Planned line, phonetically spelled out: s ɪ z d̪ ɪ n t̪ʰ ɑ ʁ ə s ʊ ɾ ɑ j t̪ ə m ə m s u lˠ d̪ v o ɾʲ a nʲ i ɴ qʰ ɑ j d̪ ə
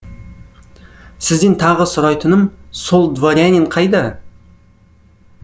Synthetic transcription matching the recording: s ɪ z d̪ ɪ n t̪ʰ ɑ ʁ ə s ʊ ɾ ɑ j t̪ ə n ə m s o lˠ d̪ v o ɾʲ a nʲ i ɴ qʰ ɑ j d̪ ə